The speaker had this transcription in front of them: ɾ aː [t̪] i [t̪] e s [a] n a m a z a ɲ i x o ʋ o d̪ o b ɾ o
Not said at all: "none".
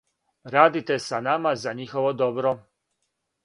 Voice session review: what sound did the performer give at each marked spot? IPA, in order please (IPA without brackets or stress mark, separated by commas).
d̪, t̪, a